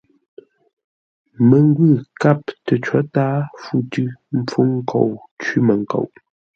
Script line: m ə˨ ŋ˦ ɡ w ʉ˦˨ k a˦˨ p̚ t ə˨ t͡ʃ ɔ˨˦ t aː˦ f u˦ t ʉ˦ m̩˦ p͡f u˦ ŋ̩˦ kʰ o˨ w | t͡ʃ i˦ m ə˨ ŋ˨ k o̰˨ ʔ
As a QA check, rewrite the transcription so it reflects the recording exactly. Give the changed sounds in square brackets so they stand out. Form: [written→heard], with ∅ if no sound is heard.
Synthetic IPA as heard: m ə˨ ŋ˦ ɡ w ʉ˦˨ k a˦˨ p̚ t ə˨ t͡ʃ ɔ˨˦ t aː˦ f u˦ t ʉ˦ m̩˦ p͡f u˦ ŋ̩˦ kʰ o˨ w | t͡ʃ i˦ m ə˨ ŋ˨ k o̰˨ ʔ